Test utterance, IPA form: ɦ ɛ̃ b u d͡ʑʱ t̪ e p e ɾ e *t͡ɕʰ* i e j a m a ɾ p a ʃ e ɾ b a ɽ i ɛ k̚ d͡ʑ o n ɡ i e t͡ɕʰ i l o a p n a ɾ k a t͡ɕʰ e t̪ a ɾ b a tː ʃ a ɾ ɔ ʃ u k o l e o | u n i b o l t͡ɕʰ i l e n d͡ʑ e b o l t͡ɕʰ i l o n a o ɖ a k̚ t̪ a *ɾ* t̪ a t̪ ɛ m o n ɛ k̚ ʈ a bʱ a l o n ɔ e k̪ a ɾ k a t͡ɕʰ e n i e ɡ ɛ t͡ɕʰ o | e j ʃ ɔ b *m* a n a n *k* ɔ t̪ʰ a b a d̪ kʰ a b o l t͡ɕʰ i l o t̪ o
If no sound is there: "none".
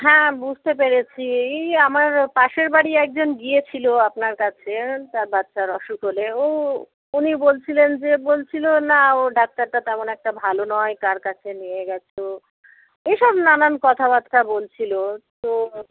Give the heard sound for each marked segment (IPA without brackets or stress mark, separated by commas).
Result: t͡ɕʰ, ɾ, n, k